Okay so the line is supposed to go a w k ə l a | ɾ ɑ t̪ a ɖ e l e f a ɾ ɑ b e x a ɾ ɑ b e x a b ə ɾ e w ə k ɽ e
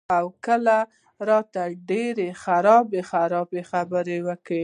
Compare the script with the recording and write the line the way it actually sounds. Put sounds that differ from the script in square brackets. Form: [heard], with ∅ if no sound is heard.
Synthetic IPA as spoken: a w k ə l a | ɾ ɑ t̪ a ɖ e [ɾ] e [x] a ɾ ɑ b e x a ɾ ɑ b e x a b ə ɾ e w ə k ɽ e

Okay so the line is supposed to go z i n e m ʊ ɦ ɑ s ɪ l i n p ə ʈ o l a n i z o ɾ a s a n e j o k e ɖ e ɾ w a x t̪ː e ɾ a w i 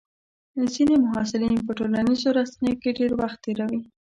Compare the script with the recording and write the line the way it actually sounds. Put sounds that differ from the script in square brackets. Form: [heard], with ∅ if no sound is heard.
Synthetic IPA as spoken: z i n e m ʊ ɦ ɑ s ɪ l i n p ə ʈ o l a n i z o ɾ a s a n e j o k e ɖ e ɾ w a x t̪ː e ɾ a w i

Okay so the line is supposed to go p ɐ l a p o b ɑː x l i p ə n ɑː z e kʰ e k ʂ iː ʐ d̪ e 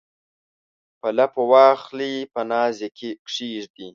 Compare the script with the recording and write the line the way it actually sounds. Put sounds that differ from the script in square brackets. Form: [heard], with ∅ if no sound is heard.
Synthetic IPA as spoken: p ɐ l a p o [w] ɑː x l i p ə n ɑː z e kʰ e k ʂ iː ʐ d̪ [i]

